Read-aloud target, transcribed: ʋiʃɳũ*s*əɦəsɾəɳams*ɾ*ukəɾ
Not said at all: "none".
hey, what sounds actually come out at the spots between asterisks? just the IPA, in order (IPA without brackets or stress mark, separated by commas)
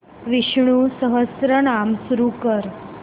s, ɾ